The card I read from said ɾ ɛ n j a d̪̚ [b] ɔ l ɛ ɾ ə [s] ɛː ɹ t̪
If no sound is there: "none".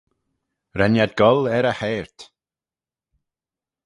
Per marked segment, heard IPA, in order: ɡ, h

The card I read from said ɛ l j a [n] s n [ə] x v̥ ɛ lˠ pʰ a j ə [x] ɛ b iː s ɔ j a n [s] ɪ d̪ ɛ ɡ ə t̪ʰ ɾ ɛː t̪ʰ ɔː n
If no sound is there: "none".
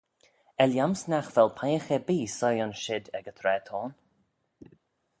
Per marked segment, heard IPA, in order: m, a, x, ʃ

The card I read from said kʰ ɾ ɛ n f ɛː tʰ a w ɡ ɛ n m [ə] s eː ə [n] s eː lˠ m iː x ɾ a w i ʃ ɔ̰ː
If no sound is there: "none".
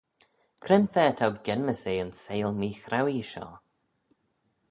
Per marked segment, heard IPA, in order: ə, n

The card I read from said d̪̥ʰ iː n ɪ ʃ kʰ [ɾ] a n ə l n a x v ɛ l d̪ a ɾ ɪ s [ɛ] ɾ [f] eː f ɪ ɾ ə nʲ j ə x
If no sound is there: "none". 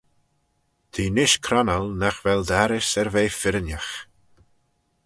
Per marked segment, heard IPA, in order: ɾ, ɛ, v

